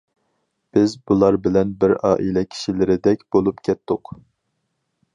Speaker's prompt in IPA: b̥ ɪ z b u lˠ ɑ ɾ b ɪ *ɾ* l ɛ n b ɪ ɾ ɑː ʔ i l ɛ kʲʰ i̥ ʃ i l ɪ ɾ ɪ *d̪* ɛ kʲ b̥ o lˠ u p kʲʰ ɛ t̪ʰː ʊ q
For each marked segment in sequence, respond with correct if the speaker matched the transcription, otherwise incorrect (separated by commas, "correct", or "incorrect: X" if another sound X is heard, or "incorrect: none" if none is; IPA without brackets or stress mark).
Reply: incorrect: none, correct